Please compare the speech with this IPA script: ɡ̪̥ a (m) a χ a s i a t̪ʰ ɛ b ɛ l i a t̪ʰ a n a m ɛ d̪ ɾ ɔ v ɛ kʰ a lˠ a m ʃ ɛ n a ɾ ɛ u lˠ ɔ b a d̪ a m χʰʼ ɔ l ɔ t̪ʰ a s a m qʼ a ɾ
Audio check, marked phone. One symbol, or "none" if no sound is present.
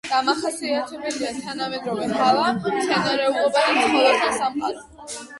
m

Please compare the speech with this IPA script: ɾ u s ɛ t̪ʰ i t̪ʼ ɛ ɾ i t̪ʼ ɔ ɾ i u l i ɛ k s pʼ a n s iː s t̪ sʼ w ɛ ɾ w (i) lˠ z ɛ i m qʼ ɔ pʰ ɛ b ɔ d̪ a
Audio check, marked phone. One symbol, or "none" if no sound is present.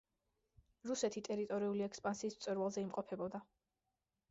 a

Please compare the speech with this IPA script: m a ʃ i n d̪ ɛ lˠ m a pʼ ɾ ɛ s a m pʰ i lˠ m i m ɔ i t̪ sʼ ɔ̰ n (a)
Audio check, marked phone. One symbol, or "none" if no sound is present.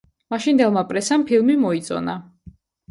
a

